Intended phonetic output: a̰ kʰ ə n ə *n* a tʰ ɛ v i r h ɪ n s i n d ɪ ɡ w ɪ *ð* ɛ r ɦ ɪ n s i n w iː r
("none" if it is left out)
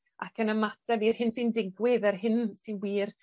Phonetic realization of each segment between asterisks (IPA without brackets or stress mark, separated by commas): m, ð